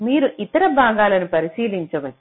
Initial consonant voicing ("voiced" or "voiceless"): voiced